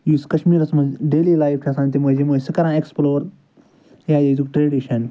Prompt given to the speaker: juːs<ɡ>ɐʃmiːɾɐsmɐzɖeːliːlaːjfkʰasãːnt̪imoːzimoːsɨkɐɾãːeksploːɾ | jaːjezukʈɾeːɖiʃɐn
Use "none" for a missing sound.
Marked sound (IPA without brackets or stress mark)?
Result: k